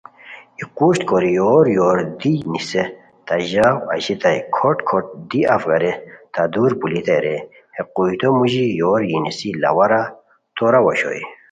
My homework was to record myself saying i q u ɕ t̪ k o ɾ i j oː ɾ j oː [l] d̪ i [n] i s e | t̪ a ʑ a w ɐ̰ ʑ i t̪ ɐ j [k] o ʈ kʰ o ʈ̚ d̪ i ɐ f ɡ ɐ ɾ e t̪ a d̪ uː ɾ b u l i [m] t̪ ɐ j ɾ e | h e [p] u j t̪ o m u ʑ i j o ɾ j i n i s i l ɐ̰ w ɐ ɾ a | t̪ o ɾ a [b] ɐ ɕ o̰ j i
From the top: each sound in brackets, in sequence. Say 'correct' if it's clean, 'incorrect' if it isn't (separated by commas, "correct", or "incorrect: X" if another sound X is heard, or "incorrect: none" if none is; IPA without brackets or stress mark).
incorrect: ɾ, correct, incorrect: kʰ, incorrect: none, incorrect: q, incorrect: w